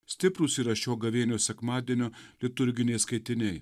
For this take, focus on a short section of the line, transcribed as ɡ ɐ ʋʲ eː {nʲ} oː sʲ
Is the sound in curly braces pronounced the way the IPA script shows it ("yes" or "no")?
yes